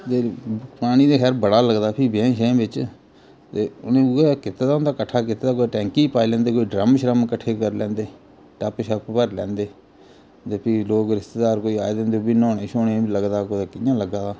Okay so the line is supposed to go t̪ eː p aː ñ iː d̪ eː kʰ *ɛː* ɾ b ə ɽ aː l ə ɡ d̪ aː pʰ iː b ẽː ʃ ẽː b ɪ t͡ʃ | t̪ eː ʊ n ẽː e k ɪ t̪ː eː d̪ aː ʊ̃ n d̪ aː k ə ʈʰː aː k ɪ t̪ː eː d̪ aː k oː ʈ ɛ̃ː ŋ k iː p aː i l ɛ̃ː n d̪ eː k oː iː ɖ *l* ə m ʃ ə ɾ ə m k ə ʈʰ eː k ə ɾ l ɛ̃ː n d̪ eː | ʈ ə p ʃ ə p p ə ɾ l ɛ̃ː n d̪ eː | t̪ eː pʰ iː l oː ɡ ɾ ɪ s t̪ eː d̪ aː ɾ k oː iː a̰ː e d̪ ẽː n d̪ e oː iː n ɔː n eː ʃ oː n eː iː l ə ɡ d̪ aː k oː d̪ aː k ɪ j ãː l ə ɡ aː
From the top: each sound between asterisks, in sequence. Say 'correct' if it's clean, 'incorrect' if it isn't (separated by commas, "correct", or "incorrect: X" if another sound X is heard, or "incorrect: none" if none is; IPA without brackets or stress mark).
correct, incorrect: ɾ